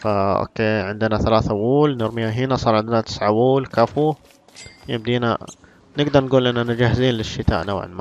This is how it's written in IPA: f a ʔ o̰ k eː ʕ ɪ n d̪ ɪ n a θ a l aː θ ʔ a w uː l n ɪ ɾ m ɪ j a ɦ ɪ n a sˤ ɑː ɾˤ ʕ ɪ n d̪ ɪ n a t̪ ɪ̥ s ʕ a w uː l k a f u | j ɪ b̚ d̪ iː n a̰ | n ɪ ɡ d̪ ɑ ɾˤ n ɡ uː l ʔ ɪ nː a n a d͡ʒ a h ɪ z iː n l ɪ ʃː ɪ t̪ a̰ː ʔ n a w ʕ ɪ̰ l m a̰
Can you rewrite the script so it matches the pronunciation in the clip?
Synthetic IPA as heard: f a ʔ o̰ k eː ʕ ɪ n d̪ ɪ n a θ a l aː θ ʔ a w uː l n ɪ ɾ m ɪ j a ɦ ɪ n a sˤ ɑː ɾˤ ʕ ɪ n d̪ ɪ n a t̪ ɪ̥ s ʕ a w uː l k a f u | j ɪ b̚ d̪ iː n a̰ | n ɪ ɡ d̪ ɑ ɾˤ n ɡ uː l ʔ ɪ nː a n a d͡ʒ a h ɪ z iː n l ɪ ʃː ɪ t̪ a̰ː ʔ n a w ʕ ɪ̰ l m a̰

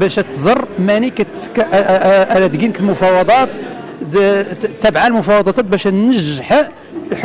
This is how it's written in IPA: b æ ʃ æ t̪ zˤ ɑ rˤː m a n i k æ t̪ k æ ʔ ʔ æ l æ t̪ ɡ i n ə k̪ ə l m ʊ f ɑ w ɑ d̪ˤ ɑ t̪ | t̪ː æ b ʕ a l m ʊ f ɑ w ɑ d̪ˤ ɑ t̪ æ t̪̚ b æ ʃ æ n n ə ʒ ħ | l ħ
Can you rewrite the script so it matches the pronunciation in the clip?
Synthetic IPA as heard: b æ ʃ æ t̪ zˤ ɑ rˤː m æ n i k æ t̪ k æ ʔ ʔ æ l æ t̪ ɡ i n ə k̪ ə l m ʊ f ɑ w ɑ d̪ˤ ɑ t̪ | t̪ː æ b ʕ a l m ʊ f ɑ w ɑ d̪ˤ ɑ t̪ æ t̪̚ b æ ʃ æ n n ə ʒ ħ | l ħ

